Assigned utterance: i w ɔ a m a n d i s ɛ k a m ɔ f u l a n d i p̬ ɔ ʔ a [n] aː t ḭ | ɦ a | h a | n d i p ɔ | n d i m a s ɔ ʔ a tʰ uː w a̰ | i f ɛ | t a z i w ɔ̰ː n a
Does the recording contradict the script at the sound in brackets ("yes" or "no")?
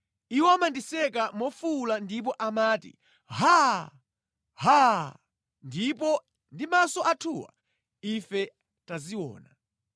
yes